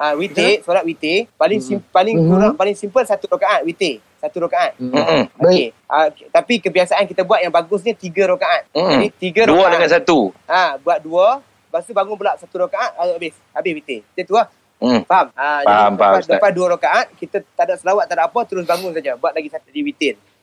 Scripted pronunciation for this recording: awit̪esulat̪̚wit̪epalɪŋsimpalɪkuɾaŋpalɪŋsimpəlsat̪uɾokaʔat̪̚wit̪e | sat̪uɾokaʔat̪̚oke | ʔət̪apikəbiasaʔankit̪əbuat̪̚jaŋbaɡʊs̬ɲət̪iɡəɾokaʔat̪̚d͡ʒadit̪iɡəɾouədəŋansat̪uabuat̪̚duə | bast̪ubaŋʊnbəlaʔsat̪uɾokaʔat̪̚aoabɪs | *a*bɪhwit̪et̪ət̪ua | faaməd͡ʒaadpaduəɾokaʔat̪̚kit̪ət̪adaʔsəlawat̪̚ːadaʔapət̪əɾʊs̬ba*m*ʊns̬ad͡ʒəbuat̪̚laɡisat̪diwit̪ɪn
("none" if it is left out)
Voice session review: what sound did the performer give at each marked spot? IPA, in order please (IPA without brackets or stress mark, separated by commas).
a, ŋ